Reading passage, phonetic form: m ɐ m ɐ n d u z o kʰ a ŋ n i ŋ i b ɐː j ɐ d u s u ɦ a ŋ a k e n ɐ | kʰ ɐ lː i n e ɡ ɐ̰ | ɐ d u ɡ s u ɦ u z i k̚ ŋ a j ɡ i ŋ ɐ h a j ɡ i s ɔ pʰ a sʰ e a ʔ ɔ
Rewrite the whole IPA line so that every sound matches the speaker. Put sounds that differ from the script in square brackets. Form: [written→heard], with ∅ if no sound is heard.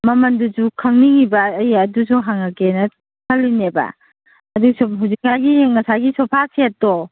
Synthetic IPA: m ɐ m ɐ n d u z [o→u] kʰ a ŋ n i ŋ i b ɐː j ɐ d u s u ɦ a ŋ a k e n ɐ | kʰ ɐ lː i n e [ɡ→b] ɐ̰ | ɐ d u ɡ s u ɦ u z i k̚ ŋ a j ɡ i ŋ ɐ [h→s] a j ɡ i s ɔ pʰ a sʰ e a [ʔ→t] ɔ